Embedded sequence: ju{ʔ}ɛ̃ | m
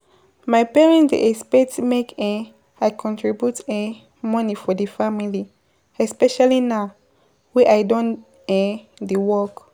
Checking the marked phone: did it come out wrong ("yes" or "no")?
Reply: yes